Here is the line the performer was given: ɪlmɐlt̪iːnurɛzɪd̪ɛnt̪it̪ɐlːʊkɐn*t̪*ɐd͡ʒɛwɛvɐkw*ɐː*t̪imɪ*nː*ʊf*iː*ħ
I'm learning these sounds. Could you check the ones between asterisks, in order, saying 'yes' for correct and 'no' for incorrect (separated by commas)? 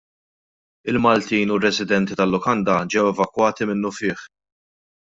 no, yes, yes, no